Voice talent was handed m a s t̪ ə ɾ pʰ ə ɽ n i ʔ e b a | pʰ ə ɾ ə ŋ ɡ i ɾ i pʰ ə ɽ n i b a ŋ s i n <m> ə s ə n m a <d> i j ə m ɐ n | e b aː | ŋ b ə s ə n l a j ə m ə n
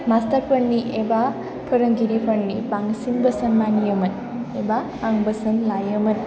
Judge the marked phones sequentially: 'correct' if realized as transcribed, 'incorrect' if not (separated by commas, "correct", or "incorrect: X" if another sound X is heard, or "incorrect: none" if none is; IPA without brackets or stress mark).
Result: incorrect: b, incorrect: n